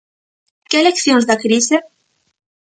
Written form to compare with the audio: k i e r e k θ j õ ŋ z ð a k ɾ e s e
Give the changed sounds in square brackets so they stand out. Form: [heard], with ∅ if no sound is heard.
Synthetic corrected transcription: k [e] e [l] e k θ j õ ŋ z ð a k ɾ [i] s e